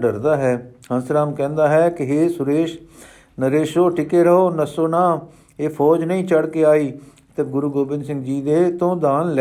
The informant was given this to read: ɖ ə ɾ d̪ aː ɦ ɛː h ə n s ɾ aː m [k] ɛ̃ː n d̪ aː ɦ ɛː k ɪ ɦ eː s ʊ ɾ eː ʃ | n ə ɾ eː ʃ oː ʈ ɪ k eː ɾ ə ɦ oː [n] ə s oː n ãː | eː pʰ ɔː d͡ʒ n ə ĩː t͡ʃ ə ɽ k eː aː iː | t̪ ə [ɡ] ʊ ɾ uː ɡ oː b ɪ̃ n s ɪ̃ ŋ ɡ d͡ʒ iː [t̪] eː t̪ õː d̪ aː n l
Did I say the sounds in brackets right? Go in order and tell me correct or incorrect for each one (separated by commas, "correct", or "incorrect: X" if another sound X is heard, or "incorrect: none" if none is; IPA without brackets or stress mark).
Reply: correct, correct, correct, incorrect: d̪